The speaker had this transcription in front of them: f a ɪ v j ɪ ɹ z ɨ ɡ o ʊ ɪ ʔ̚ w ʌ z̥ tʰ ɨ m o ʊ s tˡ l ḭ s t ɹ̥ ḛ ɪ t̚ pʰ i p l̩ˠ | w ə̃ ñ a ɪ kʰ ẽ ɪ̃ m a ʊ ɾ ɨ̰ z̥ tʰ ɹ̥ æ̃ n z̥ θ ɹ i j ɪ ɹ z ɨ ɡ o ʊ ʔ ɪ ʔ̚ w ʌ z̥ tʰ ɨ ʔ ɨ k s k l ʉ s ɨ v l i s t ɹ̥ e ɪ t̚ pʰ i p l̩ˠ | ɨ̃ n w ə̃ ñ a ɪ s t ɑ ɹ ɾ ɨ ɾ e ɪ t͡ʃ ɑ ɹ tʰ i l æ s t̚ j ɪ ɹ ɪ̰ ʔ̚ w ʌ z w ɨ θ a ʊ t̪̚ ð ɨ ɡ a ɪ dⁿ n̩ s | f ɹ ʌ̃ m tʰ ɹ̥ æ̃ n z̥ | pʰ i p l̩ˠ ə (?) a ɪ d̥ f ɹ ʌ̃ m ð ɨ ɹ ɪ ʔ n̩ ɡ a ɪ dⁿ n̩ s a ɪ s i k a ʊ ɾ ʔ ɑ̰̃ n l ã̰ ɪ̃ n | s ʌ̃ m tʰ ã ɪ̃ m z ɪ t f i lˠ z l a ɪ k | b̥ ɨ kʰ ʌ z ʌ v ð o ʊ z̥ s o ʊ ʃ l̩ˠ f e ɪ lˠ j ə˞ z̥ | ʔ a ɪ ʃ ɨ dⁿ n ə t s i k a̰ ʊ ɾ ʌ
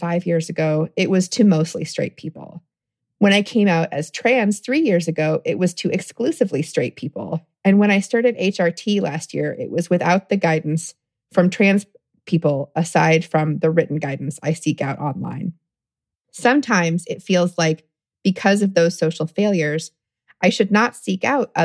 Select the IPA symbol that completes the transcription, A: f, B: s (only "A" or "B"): B